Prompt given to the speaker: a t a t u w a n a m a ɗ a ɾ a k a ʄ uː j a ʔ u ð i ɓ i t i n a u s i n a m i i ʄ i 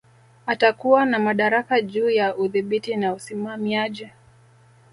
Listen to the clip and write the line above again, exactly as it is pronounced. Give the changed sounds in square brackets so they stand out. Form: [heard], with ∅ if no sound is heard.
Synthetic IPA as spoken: a t a [k] u w a n a m a ɗ a ɾ a k a ʄ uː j a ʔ u ð i ɓ i t i n a u s i [m] a m i [a] ʄ i

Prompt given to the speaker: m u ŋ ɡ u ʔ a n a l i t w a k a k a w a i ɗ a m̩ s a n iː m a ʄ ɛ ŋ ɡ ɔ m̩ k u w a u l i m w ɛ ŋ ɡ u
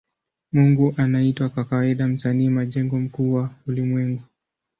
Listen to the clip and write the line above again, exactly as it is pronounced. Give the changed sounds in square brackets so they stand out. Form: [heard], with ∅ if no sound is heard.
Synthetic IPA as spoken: m u ŋ ɡ u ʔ a n a [∅] i t w a k a k a w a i ɗ a m̩ s a n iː m a ʄ ɛ ŋ ɡ ɔ m̩ k u w a u l i m w ɛ ŋ ɡ u

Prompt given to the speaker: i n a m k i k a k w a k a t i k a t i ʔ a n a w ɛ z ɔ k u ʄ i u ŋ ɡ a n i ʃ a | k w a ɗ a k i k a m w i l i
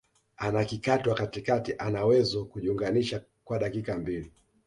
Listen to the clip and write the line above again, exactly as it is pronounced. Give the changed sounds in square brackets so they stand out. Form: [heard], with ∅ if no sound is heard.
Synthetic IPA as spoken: [a] n a [∅] k i k a [t] w a k a t i k a t i ʔ a n a w ɛ z ɔ k u ʄ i u ŋ ɡ a n i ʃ a | k w a ɗ a k i k a m [b] i l i

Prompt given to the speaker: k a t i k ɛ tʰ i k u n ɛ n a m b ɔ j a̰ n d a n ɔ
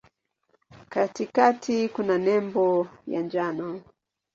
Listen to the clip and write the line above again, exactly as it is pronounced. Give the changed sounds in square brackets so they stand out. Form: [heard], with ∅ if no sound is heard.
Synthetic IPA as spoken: k a t i k [a] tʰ i k u n [a] n [ɛ] m b ɔ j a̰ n [d͡ʒ] a n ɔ

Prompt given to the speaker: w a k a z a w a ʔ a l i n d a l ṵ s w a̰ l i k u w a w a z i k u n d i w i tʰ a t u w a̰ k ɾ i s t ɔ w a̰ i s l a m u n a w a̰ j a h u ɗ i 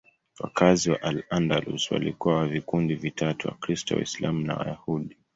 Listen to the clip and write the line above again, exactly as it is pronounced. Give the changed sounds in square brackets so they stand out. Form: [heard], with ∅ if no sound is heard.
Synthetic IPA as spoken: w a k a z [i] w a ʔ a l [a] n d a l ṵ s w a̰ l i k u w a w a [v] i k u n d i [v] i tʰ a t u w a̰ k ɾ i s t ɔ w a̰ i s l a m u n a w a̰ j a h u ɗ i

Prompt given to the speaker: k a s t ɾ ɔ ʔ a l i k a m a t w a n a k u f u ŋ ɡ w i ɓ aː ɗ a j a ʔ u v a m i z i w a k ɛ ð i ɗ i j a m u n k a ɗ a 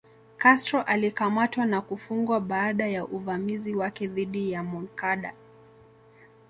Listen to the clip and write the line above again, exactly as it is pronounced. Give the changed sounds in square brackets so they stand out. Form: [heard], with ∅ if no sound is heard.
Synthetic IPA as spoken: k a s t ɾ ɔ ʔ a l i k a m a t w a n a k u f u ŋ ɡ w [a] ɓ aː ɗ a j a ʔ u v a m i z i w a k ɛ ð i ɗ i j a m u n k a ɗ a

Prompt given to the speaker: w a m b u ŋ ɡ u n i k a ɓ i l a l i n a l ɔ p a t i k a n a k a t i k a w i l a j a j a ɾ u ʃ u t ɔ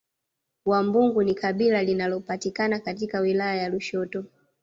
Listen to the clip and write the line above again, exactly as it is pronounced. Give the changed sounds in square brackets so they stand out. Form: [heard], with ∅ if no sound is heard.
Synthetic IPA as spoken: w a m b u ŋ ɡ u n i k a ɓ i l a l i n a l ɔ p a t i k a n a k a t i k a w i l a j a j a [l] u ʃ [ɔ] t ɔ

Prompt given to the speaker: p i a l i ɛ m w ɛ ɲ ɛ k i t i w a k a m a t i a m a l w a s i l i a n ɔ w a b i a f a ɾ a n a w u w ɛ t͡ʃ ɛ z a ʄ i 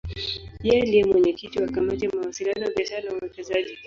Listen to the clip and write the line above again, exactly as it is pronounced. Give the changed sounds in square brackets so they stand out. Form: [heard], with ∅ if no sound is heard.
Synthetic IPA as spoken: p i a l i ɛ m w ɛ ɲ ɛ k i t i w a k a m a t i a m a [∅] w a s i l i a n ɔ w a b i a [ʃ] a ɾ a n a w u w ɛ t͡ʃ ɛ z a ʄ i

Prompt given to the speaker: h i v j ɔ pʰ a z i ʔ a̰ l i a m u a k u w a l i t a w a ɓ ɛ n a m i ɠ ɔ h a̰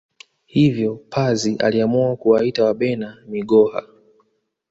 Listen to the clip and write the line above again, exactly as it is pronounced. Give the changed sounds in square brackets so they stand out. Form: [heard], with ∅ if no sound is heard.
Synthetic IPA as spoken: h i v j ɔ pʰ a z i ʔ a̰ l i a m u a k u w a [∅] i t a w a ɓ ɛ n a m i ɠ ɔ h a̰

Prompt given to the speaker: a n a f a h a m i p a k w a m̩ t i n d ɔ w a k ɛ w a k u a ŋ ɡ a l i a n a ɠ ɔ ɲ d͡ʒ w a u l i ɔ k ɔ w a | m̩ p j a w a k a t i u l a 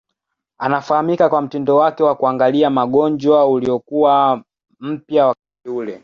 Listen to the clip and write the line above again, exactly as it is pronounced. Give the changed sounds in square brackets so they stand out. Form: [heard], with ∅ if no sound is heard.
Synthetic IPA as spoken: a n a f a h a m i [k] a k w a m̩ t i n d ɔ w a k ɛ w a k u a ŋ ɡ a l i a [m] a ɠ ɔ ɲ d͡ʒ w a u l i ɔ k [u] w a | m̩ p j a w a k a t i u l [ɛ]

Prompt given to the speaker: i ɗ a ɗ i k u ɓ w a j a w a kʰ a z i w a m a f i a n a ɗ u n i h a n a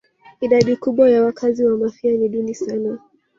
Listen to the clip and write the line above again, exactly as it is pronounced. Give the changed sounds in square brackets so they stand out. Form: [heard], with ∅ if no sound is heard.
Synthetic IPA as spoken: i ɗ a ɗ i k u ɓ w a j a w a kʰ a z i w a m a f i a n [i] ɗ u n i [s] a n a

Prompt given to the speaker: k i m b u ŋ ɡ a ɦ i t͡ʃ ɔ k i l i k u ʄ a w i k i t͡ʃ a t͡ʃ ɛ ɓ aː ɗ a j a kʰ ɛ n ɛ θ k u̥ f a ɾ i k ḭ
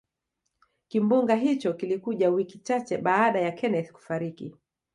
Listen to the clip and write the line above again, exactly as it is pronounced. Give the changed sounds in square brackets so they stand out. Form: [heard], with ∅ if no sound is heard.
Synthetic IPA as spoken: k i m b u ŋ ɡ a ɦ i t͡ʃ ɔ k i l i k u ʄ a w i k i t͡ʃ a t͡ʃ ɛ ɓ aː ɗ a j a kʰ ɛ n ɛ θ k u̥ f a ɾ i k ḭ

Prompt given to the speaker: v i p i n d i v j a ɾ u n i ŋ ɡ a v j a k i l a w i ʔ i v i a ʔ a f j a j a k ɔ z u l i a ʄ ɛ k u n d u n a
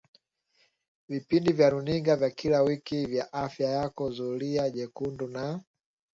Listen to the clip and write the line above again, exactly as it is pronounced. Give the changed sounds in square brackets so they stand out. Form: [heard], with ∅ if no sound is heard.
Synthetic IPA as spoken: v i p i n d i v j a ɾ u n i ŋ ɡ a v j a k i l a w i [k] i v [j] a ʔ a f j a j a k ɔ z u l i a ʄ ɛ k u n d u n a

